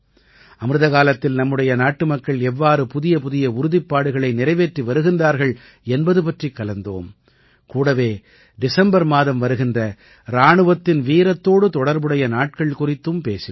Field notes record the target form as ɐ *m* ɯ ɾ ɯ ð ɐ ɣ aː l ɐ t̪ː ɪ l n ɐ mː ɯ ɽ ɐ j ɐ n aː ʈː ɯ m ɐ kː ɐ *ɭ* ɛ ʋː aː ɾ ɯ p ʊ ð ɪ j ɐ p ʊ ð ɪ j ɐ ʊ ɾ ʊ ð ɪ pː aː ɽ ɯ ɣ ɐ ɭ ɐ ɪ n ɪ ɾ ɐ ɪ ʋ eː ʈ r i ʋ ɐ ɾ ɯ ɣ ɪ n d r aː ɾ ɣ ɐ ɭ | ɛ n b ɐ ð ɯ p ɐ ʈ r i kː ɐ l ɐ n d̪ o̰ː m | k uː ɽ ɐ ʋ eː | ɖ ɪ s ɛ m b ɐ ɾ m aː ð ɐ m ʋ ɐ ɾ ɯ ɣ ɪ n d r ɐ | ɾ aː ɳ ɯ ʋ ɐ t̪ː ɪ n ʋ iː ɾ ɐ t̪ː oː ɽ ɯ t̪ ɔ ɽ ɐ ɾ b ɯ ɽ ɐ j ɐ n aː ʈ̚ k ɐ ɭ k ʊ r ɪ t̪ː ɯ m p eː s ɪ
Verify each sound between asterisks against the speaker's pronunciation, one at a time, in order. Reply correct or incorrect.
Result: correct, correct

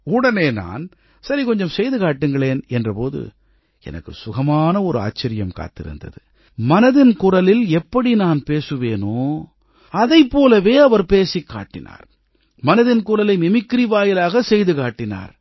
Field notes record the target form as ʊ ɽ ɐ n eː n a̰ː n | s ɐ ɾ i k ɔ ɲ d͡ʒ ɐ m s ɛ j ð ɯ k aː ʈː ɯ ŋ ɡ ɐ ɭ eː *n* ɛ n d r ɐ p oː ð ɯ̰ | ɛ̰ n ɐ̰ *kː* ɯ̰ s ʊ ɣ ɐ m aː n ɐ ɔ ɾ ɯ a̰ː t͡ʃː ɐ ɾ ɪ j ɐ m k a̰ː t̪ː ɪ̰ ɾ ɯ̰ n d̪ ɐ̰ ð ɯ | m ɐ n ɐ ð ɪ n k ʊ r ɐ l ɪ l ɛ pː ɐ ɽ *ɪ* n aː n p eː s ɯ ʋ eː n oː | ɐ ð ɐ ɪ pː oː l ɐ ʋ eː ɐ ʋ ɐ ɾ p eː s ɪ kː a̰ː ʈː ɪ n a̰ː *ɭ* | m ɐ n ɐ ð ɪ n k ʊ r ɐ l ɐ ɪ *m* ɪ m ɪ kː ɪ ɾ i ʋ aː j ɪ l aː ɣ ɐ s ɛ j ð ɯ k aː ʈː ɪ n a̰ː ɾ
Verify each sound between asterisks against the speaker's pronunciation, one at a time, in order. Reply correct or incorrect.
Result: correct, correct, incorrect, incorrect, correct

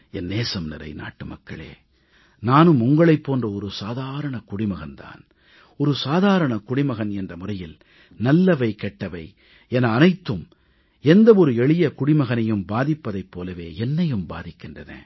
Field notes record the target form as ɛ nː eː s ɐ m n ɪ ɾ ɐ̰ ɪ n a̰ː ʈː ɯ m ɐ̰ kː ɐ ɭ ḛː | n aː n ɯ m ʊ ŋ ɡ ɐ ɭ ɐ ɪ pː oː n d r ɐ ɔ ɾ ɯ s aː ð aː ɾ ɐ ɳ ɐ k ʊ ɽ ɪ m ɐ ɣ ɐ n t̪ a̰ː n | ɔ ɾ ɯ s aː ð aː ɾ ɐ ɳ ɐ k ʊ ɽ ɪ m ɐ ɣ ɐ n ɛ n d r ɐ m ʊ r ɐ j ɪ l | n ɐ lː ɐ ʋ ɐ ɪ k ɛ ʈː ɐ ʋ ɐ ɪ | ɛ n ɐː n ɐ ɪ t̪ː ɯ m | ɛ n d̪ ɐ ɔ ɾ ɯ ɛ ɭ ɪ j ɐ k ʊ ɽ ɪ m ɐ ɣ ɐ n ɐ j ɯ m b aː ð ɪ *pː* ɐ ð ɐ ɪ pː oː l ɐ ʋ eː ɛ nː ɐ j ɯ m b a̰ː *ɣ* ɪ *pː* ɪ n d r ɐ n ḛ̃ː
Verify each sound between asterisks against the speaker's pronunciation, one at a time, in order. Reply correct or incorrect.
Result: correct, incorrect, incorrect

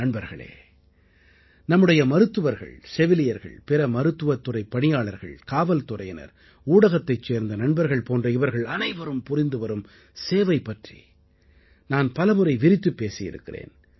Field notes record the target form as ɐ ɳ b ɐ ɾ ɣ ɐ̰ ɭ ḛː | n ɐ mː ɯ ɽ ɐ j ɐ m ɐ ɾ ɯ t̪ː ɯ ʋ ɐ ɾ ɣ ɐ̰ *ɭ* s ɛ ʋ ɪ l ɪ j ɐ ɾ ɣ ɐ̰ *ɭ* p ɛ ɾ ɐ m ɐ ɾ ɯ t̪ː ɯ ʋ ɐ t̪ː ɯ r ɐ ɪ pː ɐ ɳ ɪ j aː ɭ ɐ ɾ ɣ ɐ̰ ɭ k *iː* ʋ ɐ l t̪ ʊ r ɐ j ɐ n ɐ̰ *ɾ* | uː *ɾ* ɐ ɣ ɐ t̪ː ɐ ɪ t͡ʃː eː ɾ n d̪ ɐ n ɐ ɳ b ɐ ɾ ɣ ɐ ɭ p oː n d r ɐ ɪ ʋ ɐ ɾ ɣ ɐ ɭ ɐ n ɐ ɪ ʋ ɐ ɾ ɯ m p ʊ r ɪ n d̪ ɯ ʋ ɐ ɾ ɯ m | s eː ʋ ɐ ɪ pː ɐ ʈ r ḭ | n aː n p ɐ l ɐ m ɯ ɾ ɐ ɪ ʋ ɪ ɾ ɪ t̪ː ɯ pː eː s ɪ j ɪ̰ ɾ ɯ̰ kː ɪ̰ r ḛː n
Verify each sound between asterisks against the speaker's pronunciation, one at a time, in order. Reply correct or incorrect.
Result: correct, correct, incorrect, correct, incorrect

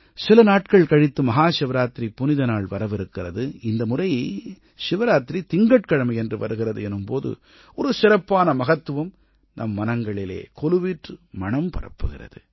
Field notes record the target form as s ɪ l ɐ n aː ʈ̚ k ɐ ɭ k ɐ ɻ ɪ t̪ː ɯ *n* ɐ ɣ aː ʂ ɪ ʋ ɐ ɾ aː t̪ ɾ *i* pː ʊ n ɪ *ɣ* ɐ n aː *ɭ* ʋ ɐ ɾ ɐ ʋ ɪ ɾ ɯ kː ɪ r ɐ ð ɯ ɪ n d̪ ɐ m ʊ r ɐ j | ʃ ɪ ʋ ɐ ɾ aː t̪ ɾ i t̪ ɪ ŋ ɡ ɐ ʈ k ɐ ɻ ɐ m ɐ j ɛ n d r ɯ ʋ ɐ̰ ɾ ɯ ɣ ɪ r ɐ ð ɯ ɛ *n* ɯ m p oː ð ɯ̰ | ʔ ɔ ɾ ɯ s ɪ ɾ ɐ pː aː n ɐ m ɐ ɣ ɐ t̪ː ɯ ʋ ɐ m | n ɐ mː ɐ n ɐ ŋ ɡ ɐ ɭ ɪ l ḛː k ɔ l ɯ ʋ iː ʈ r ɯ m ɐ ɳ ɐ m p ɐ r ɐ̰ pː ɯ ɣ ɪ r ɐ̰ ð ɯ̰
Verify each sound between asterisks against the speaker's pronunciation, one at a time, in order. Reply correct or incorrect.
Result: incorrect, correct, incorrect, correct, correct

